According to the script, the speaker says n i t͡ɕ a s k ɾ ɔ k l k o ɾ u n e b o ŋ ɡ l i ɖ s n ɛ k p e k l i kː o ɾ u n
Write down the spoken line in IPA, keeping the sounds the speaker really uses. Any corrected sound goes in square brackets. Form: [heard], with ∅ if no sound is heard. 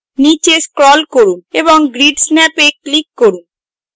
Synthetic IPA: n i t͡ɕ [e] s k ɾ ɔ [∅] l k o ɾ u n e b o ŋ ɡ [ɾ] i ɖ s n ɛ [∅] p e k l i kː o ɾ u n